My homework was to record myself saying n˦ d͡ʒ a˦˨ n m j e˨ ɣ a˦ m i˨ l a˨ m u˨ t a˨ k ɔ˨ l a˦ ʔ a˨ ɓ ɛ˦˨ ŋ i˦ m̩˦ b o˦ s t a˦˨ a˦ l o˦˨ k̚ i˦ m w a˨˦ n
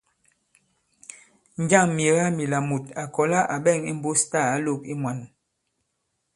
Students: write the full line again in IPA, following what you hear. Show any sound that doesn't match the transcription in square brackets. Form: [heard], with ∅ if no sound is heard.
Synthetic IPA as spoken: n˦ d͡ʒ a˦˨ [ŋ] m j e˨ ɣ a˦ m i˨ l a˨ m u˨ t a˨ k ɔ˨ l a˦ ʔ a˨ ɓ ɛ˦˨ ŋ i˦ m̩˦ b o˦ s t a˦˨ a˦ l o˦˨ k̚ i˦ m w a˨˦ n